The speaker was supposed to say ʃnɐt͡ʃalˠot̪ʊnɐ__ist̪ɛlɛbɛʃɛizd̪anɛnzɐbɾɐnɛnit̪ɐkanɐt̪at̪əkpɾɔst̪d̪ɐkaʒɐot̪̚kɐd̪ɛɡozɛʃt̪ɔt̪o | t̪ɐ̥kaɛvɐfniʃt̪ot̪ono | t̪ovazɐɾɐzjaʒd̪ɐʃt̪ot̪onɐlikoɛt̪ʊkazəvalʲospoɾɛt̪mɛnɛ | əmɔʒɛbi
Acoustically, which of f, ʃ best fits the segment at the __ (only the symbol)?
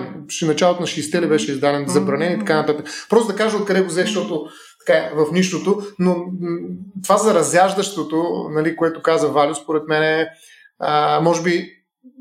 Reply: ʃ